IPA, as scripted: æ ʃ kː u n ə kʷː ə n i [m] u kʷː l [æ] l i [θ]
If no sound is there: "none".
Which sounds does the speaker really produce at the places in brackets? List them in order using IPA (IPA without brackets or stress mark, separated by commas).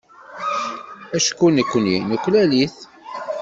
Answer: n, æ, θ